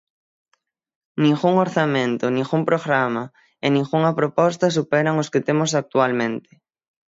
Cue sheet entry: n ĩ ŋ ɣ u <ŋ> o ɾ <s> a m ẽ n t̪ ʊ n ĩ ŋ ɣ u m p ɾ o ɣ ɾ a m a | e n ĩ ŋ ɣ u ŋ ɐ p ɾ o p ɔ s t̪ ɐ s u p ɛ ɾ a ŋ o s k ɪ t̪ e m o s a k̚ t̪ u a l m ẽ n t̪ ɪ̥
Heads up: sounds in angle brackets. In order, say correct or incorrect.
correct, incorrect: θ

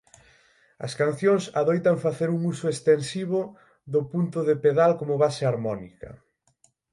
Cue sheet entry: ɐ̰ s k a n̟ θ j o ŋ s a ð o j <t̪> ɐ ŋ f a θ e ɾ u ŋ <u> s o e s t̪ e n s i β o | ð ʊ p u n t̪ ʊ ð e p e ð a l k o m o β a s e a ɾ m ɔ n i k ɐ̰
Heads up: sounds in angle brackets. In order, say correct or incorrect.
correct, correct

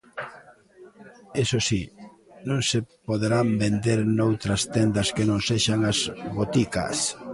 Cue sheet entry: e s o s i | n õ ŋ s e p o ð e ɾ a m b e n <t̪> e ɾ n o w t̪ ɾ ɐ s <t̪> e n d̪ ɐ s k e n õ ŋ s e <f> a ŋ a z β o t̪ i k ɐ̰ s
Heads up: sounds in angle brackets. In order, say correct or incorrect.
incorrect: d̪, correct, incorrect: ʃ

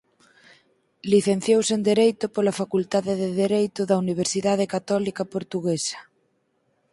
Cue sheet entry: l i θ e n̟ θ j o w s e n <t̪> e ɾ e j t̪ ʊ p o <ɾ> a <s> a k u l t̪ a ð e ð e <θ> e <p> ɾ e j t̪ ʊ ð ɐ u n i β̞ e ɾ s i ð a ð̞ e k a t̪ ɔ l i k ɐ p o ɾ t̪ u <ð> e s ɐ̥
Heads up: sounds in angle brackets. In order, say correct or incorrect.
incorrect: d̪, incorrect: l, incorrect: f, incorrect: ð, incorrect: none, incorrect: ɣ

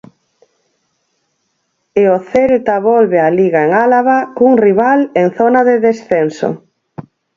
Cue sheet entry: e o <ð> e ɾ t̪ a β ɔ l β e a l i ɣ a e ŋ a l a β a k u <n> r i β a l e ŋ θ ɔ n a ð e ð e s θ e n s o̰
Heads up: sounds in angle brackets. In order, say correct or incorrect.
incorrect: θ, incorrect: ŋ

